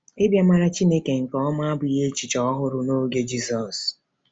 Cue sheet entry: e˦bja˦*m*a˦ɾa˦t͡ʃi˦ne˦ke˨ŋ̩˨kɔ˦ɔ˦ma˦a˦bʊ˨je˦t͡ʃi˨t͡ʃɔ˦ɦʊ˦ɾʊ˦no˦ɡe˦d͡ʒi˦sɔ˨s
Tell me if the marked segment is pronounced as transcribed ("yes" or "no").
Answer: yes